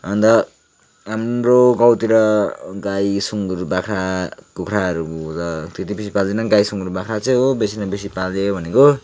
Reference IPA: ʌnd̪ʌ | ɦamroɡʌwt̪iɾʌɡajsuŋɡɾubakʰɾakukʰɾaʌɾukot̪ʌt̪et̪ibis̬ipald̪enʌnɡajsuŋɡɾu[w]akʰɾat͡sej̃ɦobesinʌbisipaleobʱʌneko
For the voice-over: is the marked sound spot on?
no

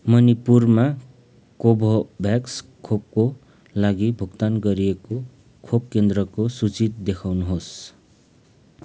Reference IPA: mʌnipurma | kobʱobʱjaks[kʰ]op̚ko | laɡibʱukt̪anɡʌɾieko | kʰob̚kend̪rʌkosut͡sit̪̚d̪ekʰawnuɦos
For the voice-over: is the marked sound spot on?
yes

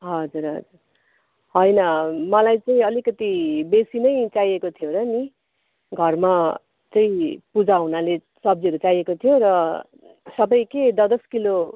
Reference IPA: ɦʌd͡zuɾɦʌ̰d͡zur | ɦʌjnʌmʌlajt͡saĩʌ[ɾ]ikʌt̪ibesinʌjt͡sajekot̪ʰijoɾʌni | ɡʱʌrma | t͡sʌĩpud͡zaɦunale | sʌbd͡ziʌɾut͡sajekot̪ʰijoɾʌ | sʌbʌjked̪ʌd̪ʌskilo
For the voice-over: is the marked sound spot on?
no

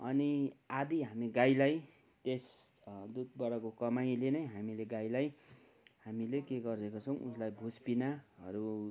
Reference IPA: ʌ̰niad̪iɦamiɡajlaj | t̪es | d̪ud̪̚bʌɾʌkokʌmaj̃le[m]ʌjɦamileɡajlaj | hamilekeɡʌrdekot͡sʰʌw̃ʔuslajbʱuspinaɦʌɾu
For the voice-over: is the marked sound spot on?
no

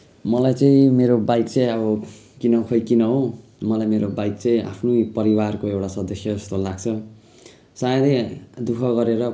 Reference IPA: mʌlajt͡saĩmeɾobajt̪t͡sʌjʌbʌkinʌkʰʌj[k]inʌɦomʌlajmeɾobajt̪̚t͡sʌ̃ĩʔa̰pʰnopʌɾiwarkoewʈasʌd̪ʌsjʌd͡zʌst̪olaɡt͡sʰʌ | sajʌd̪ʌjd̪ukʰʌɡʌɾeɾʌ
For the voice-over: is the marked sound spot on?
yes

